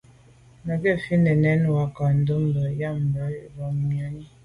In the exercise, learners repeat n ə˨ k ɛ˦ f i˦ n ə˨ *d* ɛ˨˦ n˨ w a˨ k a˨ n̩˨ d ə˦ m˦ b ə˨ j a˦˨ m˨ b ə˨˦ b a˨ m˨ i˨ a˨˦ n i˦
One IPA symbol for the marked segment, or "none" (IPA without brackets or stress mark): n